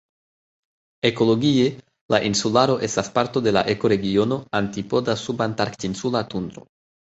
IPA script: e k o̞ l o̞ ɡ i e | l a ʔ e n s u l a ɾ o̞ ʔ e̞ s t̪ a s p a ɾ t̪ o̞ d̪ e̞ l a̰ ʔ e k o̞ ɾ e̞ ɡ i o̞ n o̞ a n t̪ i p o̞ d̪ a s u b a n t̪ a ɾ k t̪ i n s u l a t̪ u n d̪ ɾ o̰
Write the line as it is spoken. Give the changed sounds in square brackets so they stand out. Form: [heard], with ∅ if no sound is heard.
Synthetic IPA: e k o̞ l o̞ ɡ i e | l a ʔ [i] n s u l a ɾ o̞ ʔ e̞ s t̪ a s p a ɾ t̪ o̞ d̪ e̞ l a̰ ʔ e k o̞ ɾ e̞ ɡ i o̞ n o̞ a n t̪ i p o̞ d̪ a s u b a n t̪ a ɾ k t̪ i n s u l a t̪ u n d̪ ɾ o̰